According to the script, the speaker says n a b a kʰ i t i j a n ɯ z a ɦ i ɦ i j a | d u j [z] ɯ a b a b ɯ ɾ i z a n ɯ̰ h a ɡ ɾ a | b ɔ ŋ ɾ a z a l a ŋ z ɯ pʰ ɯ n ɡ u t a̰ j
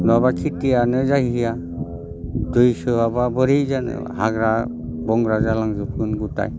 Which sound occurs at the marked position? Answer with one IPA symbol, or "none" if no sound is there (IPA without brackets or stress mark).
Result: s